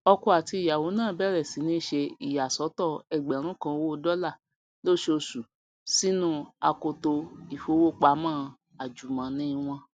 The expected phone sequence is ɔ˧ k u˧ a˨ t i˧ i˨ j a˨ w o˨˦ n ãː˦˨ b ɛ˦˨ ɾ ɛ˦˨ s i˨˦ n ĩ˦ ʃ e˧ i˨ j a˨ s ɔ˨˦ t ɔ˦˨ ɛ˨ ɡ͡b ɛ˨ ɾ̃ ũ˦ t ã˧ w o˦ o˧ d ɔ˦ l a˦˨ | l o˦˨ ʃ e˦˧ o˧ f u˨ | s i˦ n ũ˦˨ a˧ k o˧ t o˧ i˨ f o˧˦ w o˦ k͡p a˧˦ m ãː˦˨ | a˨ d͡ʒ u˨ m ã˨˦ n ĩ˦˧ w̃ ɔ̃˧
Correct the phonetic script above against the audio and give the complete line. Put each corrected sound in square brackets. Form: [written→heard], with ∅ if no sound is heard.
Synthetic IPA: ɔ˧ k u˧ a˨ t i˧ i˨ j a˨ w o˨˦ n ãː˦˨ b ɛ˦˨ ɾ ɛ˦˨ s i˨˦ n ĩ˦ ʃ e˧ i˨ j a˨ s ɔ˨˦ t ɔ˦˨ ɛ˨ ɡ͡b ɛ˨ ɾ̃ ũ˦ [t→k] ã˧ w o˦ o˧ d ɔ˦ l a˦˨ | l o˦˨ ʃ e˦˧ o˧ [f→s] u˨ | s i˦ n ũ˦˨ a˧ k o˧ t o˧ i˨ f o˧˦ w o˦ k͡p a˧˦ m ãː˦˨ | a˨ d͡ʒ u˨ m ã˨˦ n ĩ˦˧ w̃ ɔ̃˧